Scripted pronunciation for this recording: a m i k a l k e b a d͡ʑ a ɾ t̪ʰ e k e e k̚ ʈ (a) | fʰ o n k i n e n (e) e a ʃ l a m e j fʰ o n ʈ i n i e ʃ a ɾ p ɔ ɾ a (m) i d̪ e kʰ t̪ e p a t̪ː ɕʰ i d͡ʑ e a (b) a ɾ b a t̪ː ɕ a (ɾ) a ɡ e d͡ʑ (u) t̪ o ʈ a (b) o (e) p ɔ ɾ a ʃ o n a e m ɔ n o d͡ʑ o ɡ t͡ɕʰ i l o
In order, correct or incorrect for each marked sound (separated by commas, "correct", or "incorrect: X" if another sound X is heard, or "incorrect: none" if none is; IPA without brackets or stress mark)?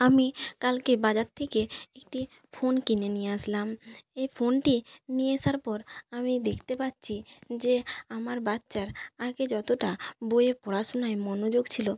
incorrect: i, incorrect: i, correct, incorrect: m, correct, incorrect: ɔ, correct, correct